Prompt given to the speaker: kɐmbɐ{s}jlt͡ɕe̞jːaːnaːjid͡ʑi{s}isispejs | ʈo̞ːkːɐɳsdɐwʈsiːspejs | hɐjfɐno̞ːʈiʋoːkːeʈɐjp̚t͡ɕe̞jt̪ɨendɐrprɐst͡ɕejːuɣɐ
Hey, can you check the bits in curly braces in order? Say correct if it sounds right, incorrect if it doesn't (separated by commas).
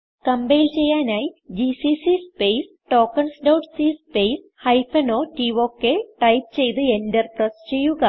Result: incorrect, correct